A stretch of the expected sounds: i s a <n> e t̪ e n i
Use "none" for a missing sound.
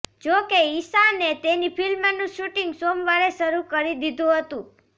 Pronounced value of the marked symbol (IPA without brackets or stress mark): n